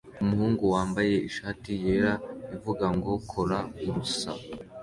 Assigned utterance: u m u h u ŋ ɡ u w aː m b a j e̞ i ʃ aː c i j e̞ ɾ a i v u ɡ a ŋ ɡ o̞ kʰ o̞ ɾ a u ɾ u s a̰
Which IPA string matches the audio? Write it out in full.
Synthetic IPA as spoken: u m u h uː ŋ ɡ u w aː m b a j e̞ i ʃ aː t i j e̞ ɾ a i v u ɡ a ŋ ɡ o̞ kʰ o̞ ɾ a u ɾ u s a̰

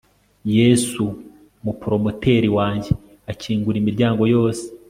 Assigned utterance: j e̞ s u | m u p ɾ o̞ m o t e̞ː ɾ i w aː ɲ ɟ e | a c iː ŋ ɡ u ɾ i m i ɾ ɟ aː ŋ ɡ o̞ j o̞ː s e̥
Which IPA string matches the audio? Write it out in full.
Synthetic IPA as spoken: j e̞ s u | m u p ɾ o̞ m o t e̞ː ɾ i w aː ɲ ɟ e | a c iː ŋ ɡ u ɾ i m i ɾ ɟ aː ŋ ɡ o̞ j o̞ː s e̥

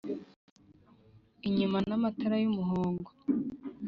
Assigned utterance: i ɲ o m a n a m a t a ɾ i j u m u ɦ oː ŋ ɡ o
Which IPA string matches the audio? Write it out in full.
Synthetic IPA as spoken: i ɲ u m a n a m a t a ɾ a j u m u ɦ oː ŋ ɡ o

